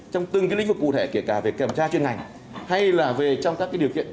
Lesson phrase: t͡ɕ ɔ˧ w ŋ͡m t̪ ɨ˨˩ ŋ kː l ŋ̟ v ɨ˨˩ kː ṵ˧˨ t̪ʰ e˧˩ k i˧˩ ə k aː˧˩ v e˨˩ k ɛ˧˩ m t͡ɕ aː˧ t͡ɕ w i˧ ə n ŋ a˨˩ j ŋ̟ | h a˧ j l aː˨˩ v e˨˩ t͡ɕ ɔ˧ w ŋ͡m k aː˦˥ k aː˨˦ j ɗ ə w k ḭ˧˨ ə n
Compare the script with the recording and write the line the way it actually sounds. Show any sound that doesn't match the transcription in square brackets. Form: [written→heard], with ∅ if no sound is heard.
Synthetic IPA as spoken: t͡ɕ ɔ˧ w ŋ͡m t̪ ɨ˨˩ ŋ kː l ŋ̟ v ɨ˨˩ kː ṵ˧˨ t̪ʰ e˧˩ k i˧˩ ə k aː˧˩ v e˨˩ k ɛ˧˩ m t͡ɕ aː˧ t͡ɕ w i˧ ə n ŋ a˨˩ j ŋ̟ | h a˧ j l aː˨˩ v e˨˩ t͡ɕ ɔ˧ w ŋ͡m k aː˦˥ k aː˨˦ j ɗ ə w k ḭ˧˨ ə n

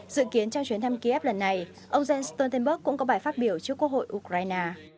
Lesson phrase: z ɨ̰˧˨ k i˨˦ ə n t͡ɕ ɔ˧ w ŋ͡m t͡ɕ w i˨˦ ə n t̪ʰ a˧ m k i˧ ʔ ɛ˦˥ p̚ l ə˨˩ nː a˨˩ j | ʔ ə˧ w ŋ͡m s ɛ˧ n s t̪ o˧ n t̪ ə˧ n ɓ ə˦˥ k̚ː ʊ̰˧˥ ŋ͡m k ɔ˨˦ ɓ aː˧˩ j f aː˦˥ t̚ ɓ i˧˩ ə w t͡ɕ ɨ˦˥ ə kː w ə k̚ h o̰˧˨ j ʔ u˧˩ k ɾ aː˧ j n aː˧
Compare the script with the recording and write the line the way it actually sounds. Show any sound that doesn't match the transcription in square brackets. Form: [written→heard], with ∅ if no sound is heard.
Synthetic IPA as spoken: z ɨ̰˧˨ k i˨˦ ə n t͡ɕ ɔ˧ w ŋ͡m t͡ɕ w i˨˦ ə n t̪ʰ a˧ m k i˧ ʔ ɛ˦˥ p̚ l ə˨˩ nː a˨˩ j | ʔ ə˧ w ŋ͡m [s→z] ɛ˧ n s t̪ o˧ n t̪ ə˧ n ɓ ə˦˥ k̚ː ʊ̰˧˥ ŋ͡m k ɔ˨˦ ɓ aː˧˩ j f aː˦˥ t̚ ɓ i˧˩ ə w t͡ɕ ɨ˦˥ ə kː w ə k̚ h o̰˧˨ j ʔ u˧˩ k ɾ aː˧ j n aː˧

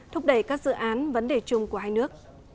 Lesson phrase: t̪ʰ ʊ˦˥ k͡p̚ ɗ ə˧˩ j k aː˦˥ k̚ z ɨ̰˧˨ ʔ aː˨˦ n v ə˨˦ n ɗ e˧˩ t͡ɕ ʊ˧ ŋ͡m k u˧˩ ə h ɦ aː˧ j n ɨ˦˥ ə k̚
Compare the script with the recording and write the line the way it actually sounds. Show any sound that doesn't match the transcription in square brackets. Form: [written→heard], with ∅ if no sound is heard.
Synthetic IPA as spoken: t̪ʰ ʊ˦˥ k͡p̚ ɗ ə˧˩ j k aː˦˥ k̚ z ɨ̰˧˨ ʔ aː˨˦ n v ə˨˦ n ɗ e˧˩ t͡ɕ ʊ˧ ŋ͡m k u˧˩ ə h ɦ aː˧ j n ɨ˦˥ ə k̚

